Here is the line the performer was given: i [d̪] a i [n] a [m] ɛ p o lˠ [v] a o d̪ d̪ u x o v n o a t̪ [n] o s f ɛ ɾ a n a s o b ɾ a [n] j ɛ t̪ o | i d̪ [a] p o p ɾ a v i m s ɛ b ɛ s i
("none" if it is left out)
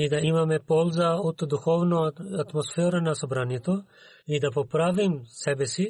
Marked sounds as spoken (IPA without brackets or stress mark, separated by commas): d̪, m, m, z, m, n, a